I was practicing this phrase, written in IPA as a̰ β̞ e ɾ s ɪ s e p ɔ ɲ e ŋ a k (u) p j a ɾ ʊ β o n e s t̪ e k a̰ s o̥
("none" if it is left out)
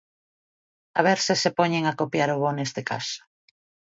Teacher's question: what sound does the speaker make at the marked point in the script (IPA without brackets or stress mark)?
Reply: o